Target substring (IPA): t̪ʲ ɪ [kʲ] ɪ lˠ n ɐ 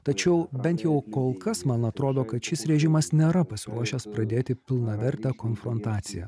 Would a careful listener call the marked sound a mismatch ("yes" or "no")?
yes